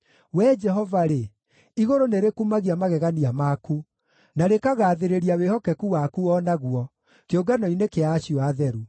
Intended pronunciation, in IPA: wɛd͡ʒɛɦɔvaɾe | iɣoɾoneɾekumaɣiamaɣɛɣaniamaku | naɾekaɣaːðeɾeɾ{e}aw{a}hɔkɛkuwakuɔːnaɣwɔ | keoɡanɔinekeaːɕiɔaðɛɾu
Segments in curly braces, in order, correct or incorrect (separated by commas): incorrect, incorrect